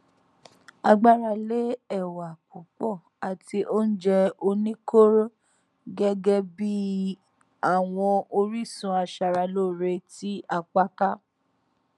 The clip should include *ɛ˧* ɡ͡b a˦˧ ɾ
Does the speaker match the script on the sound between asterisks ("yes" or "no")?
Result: no